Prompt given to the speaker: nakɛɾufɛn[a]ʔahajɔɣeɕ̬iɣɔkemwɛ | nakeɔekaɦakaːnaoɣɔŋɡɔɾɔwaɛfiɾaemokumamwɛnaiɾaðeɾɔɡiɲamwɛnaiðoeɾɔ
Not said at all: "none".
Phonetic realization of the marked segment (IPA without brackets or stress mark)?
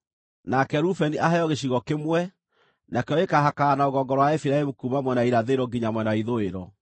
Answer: i